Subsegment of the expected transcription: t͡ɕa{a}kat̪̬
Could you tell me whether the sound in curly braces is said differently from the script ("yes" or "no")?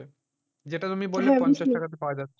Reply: no